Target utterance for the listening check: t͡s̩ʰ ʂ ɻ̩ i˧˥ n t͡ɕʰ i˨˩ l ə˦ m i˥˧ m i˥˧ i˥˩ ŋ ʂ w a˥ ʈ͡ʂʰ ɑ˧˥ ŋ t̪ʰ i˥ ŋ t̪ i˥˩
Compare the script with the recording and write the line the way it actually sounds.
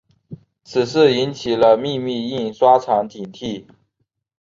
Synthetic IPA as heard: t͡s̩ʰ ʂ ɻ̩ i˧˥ n t͡ɕʰ i˨˩ l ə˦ m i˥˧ m i˥˧ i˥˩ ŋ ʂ w a˥ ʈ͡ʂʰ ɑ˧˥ ŋ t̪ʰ i˨˩ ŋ t̪ʰ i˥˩